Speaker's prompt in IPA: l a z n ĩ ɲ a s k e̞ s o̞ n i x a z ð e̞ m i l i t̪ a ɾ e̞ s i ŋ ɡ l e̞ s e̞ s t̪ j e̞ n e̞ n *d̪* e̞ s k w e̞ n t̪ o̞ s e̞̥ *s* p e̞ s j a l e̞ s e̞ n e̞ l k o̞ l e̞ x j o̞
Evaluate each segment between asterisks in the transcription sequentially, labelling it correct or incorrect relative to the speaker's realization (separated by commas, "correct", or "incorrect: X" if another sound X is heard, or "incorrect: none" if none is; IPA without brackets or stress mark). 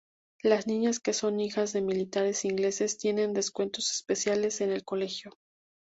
correct, correct